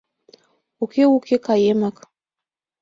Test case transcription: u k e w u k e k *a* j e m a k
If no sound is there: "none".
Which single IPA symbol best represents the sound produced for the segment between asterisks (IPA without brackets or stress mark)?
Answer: a